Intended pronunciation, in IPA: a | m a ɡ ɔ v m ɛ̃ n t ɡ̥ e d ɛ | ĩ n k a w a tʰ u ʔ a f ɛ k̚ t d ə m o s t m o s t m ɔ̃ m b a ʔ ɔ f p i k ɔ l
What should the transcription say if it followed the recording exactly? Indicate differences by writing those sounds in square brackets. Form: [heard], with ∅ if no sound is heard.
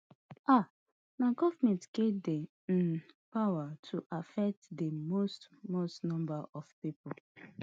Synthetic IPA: a | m a ɡ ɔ v m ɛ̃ n t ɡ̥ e d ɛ | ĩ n [p] a w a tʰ u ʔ a f ɛ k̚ t d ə m o s t m o s t [n] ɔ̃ m b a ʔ ɔ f p i [p] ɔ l